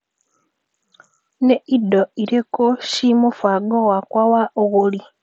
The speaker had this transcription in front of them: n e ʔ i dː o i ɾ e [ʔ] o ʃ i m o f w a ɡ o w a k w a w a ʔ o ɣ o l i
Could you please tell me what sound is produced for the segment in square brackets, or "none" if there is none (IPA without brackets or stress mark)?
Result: k